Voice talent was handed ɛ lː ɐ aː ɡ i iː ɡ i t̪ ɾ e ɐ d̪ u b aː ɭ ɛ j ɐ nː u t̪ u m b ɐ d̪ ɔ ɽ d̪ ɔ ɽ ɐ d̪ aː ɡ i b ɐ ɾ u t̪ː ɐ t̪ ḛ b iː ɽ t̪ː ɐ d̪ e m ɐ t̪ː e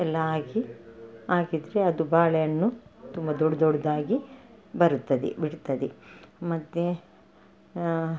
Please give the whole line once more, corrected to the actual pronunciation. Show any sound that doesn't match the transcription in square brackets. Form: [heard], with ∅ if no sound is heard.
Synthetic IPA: ɛ lː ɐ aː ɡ i [aː] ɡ i [d̪] ɾ e ɐ d̪ u b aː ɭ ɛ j ɐ nː u t̪ u m b ɐ d̪ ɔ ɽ d̪ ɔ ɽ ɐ d̪ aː ɡ i b ɐ ɾ u t̪ː ɐ [d̪] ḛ b [i] ɽ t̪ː ɐ d̪ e m ɐ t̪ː e